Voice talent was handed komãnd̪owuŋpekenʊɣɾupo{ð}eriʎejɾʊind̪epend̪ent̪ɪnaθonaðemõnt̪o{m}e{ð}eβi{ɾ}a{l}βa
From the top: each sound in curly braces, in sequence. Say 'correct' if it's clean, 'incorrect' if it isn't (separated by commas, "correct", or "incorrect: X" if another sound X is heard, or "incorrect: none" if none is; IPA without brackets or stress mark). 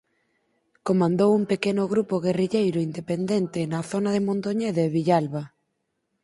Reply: incorrect: ɣ, incorrect: ɲ, correct, incorrect: ʎ, correct